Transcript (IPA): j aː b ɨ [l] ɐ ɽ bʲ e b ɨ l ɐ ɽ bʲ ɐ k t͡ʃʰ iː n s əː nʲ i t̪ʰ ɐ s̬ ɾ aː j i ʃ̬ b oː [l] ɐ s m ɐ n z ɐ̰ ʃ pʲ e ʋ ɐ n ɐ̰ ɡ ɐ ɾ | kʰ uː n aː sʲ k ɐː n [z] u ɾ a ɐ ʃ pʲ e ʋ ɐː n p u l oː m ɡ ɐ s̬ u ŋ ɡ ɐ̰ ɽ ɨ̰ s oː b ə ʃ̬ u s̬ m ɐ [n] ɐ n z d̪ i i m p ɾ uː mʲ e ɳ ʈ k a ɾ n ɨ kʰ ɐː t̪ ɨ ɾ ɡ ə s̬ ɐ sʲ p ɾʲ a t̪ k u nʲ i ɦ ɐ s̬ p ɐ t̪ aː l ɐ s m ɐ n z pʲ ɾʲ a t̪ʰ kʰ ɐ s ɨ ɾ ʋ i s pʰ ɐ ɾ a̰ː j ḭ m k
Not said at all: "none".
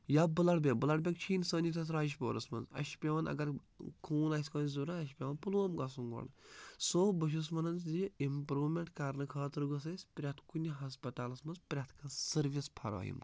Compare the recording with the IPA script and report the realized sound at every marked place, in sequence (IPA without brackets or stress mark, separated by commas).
l, ɾ, z, n